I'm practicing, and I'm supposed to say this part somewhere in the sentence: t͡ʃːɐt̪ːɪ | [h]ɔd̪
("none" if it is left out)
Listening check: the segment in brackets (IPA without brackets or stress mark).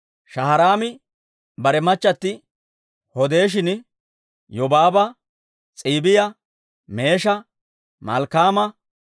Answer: h